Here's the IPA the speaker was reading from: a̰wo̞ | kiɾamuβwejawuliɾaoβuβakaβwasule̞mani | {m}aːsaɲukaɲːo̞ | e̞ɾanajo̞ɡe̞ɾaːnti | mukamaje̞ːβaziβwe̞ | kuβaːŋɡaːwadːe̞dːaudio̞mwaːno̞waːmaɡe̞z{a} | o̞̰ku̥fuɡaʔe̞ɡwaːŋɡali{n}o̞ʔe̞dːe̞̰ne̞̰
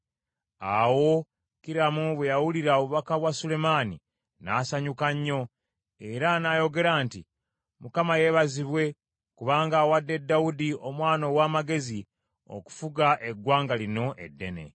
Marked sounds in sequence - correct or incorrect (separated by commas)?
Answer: incorrect, incorrect, correct